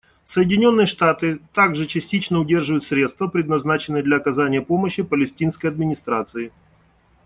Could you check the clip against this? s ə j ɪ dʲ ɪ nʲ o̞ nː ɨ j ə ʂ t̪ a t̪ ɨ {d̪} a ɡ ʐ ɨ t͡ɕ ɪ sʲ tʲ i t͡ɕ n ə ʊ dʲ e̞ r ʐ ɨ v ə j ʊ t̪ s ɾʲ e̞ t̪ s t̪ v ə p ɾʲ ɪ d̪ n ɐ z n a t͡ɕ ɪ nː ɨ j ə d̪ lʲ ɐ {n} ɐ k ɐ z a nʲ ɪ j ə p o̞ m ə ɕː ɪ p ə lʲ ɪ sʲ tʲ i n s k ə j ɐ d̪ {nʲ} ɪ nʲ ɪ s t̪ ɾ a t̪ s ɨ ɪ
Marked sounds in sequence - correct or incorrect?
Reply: incorrect: t̪, incorrect: none, incorrect: mʲ

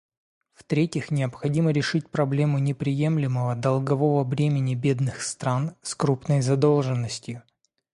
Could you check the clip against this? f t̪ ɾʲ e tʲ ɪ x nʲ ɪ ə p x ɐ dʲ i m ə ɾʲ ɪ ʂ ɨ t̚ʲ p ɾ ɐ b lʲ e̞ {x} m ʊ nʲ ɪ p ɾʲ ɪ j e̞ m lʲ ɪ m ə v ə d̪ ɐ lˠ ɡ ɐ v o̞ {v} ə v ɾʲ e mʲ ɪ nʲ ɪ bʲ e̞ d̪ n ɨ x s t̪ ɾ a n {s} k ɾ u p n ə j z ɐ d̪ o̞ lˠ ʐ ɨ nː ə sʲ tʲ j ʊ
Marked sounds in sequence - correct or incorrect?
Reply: incorrect: none, correct, correct

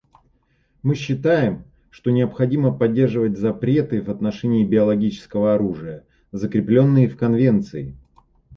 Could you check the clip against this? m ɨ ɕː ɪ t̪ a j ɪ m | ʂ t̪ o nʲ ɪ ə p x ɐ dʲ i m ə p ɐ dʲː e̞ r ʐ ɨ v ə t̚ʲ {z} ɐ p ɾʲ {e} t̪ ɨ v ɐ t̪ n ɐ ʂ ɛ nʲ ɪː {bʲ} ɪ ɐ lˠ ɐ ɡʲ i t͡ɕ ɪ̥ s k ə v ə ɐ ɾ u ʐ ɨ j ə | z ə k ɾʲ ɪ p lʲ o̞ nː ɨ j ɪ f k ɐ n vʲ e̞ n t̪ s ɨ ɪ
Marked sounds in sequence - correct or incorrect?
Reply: correct, correct, correct

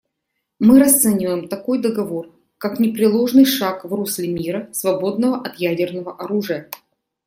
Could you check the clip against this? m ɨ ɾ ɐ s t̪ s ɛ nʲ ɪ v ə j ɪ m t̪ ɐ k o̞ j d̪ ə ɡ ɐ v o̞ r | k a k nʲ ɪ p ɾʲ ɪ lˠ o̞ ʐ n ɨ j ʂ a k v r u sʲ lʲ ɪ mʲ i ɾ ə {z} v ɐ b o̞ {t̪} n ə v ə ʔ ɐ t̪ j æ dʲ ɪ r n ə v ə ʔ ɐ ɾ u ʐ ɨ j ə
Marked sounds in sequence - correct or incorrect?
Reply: incorrect: s, incorrect: d̪

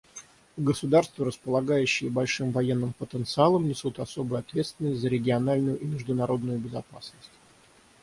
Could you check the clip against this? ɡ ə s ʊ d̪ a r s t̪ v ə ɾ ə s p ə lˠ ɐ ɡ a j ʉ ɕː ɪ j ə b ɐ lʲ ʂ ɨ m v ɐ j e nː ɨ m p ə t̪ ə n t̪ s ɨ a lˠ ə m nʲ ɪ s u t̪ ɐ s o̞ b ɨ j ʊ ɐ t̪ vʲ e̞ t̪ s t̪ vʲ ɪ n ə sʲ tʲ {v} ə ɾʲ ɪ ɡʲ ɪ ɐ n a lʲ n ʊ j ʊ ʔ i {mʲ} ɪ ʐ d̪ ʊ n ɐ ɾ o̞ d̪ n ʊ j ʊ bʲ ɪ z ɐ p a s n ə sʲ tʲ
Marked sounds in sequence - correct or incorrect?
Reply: incorrect: z, correct

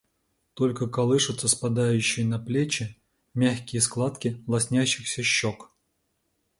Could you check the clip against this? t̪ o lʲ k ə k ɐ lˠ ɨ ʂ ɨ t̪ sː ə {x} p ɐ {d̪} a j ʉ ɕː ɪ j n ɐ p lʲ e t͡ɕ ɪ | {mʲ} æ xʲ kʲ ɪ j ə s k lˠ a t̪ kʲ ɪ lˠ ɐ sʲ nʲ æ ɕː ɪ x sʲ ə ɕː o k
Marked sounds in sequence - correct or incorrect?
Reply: incorrect: s, correct, correct

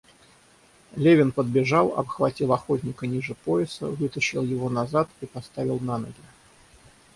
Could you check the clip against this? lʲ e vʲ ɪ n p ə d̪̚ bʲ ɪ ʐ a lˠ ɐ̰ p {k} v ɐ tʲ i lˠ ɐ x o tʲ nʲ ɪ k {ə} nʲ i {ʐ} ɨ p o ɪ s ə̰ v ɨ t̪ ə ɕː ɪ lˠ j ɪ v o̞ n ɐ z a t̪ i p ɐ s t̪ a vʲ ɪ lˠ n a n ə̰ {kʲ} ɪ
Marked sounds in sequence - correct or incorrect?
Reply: incorrect: x, correct, correct, incorrect: ɡʲ

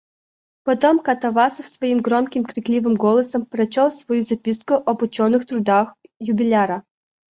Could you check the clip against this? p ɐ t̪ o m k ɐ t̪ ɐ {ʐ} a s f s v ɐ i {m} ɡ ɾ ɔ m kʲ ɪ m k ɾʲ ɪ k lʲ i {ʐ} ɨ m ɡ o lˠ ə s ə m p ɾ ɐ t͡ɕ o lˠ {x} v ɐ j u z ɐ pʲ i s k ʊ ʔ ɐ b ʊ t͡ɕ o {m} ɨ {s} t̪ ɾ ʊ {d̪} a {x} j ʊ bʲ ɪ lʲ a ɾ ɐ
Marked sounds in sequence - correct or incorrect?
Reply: incorrect: v, correct, incorrect: v, incorrect: s, incorrect: n, incorrect: x, correct, correct

